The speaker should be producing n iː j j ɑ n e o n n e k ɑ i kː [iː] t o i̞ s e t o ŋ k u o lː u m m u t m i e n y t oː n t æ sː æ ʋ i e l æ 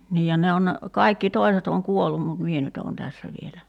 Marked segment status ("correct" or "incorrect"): incorrect